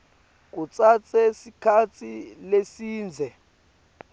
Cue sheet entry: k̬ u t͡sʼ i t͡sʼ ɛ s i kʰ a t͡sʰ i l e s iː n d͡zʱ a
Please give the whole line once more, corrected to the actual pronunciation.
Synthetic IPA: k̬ u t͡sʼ a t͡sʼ ɛ s i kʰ a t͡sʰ i l e s iː n d͡zʱ ɛ